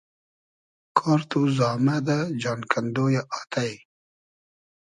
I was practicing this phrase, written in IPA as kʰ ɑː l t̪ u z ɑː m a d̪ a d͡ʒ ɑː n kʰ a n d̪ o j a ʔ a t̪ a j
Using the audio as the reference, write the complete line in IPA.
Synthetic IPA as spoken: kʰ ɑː ɾ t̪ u z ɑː m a d̪ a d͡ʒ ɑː n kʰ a n d̪ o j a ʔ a t̪ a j